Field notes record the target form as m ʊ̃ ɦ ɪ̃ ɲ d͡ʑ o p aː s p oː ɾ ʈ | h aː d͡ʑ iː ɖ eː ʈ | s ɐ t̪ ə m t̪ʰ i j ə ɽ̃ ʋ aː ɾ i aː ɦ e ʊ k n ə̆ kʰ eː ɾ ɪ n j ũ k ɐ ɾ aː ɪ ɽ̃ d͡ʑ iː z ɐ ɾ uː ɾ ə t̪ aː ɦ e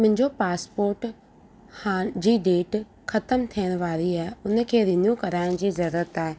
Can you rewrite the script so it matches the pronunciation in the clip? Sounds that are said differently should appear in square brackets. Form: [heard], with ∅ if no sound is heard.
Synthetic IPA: m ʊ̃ ɦ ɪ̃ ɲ d͡ʑ o p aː s p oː ɾ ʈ | h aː d͡ʑ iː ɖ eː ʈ | [x] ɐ t̪ ə m t̪ʰ i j ə ɽ̃ ʋ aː ɾ i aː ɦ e ʊ [∅] n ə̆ kʰ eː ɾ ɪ n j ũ k ɐ ɾ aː ɪ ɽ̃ d͡ʑ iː z ɐ ɾ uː ɾ ə t̪ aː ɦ e